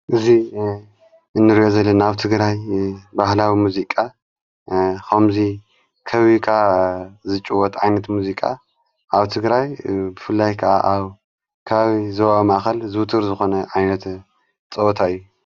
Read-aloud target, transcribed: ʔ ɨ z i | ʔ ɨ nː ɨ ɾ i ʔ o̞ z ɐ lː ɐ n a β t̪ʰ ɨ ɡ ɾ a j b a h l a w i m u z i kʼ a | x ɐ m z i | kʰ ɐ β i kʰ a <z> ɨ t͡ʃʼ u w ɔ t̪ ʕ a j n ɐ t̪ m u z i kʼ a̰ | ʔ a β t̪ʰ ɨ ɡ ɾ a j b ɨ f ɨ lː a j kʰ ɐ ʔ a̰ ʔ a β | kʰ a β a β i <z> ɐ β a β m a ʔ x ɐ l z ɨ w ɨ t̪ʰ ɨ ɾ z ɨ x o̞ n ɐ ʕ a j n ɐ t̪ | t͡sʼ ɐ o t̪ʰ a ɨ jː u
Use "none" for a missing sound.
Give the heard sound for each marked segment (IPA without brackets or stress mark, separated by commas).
z, z